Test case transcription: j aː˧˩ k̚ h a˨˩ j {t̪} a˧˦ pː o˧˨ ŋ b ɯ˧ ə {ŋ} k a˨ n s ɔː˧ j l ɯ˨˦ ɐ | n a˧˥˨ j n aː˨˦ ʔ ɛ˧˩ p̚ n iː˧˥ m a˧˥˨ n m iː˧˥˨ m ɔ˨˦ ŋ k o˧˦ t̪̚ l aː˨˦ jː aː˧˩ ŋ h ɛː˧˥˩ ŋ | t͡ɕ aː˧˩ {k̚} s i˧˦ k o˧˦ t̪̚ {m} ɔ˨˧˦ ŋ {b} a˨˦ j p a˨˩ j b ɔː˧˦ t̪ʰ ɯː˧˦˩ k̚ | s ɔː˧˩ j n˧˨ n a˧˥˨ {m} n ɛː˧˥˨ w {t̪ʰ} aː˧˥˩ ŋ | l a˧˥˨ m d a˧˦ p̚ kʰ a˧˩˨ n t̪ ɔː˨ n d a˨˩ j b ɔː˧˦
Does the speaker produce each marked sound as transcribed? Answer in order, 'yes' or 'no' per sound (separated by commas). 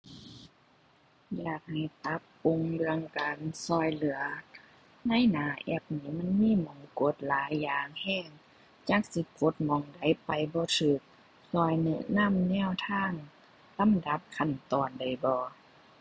yes, yes, yes, yes, no, yes, yes